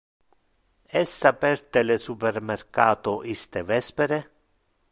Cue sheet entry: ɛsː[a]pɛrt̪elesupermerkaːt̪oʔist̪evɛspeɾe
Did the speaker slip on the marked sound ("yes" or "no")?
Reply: no